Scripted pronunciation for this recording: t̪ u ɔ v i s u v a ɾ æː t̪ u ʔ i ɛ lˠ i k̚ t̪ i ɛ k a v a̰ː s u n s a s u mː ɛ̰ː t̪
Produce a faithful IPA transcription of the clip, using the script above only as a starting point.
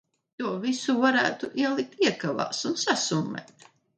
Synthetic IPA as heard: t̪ u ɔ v i s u v a ɾ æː t̪ u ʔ i ɛ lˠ i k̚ t̪ i ɛ k a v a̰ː s u n s a s u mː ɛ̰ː t̪